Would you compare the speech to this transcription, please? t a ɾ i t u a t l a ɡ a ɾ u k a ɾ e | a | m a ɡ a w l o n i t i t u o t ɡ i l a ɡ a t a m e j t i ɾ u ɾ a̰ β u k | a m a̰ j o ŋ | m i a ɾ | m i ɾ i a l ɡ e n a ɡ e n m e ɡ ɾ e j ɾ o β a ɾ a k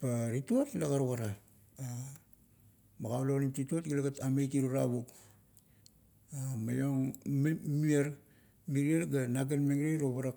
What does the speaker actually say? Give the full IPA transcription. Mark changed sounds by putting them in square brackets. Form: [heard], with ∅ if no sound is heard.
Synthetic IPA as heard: [p] a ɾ i t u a t l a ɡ a ɾ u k a ɾ [a] | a | m a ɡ a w l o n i t i t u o t ɡ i l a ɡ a t a m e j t i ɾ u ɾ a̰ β u k | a m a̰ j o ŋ | m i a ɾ | m i ɾ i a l ɡ [a] n a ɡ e n m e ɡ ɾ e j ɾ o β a ɾ a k